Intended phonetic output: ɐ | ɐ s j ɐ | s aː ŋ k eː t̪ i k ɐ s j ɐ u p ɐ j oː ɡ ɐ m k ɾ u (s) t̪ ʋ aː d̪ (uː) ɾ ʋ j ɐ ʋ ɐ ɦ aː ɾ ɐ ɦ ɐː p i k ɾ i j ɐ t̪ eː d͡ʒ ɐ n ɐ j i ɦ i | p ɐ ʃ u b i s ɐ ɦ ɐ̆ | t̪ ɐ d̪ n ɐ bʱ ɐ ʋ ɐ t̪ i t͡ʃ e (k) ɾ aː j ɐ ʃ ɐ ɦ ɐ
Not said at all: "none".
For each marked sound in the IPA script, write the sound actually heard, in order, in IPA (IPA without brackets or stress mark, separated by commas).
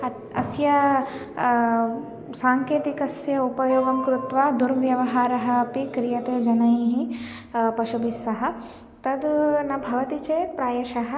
none, u, p